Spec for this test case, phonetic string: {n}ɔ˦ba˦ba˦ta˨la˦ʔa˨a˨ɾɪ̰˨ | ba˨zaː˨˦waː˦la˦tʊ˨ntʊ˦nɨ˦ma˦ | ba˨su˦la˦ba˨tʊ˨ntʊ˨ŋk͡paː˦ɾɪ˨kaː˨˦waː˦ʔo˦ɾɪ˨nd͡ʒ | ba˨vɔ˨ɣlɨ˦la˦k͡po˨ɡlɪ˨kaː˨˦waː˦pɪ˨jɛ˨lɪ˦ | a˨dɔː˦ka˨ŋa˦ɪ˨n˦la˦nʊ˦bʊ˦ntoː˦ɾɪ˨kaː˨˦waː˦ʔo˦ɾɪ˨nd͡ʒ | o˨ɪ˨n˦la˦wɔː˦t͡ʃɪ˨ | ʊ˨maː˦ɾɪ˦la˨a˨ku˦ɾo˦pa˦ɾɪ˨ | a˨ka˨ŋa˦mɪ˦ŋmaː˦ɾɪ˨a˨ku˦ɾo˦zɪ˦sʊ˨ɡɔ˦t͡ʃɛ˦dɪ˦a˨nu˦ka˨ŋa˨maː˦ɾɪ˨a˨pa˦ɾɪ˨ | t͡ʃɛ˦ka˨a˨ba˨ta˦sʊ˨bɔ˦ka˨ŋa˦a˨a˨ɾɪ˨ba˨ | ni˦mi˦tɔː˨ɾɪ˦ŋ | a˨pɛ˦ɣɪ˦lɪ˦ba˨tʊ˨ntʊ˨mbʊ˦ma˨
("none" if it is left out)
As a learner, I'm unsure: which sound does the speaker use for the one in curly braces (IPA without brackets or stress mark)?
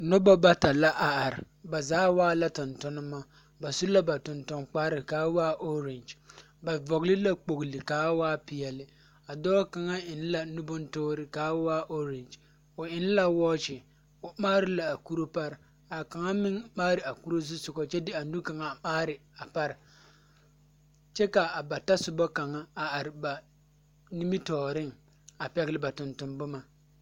n